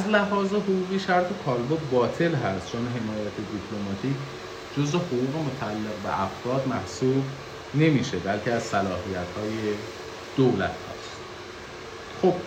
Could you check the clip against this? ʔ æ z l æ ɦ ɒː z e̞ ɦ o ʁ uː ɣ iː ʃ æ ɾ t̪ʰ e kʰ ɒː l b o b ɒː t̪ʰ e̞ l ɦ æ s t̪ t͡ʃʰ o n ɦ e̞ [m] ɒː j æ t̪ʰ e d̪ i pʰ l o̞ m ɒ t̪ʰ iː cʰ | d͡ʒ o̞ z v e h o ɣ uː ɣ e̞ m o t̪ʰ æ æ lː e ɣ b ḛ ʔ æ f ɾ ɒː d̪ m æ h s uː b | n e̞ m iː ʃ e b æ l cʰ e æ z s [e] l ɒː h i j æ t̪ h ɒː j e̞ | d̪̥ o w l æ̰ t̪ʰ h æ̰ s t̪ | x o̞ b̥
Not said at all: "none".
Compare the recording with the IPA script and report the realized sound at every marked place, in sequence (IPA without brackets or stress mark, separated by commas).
m, æ